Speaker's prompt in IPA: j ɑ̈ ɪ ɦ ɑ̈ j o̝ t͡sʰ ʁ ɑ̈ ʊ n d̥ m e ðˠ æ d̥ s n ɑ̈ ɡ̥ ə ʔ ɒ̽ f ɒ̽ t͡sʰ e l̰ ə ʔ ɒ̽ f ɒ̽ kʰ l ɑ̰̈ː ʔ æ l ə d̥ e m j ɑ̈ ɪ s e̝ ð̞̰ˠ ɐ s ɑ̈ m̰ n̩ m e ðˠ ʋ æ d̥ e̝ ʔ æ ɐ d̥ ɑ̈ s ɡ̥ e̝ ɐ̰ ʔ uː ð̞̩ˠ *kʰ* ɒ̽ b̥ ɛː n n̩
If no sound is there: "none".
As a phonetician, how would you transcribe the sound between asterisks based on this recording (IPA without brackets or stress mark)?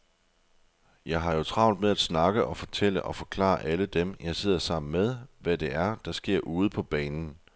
pʰ